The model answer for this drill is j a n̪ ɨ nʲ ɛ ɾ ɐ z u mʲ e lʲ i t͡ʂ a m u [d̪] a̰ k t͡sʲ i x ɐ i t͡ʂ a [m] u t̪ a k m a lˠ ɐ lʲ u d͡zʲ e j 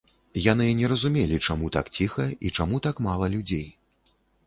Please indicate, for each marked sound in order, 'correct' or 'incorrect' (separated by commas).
incorrect, correct